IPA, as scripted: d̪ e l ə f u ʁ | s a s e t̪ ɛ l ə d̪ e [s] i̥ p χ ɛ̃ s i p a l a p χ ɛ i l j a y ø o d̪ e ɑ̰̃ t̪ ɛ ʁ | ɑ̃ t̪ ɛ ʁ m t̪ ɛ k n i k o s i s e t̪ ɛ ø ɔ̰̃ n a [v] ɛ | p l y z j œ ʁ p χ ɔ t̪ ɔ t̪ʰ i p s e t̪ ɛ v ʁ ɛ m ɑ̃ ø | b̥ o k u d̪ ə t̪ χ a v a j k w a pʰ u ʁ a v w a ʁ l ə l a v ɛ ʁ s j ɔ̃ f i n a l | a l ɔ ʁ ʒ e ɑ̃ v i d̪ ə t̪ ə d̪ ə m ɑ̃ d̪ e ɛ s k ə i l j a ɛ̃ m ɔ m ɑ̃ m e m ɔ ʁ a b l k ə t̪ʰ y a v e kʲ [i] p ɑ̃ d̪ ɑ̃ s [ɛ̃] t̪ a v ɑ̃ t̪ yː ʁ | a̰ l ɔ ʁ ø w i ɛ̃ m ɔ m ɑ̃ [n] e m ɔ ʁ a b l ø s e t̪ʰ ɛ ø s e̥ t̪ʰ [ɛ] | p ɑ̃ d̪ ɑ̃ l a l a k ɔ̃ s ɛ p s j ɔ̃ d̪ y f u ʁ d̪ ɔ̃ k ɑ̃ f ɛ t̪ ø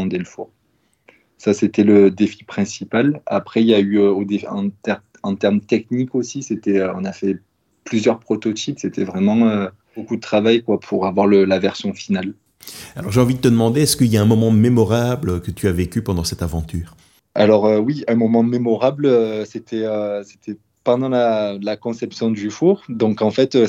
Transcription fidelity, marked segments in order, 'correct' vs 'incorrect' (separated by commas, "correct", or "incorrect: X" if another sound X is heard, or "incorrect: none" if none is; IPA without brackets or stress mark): incorrect: f, incorrect: f, incorrect: y, incorrect: ɛ, incorrect: m, correct